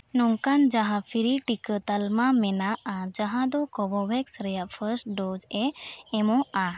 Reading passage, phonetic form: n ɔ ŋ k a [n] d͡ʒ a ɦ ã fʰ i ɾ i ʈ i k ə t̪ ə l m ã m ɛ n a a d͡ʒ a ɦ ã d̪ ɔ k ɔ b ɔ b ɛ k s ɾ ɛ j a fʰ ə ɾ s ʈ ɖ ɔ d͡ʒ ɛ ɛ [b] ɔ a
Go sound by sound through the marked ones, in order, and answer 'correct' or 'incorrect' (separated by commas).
correct, incorrect